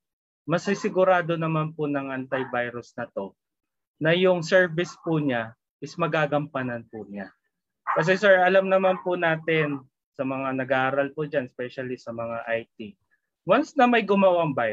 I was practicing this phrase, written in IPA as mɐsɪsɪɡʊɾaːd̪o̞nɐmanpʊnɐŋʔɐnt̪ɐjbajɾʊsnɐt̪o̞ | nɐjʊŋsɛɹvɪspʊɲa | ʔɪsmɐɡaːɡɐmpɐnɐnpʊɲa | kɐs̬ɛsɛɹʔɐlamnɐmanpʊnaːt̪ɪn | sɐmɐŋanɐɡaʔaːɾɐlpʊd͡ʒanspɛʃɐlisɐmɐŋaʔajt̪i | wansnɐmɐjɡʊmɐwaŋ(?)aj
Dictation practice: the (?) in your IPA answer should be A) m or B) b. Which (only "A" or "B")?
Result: B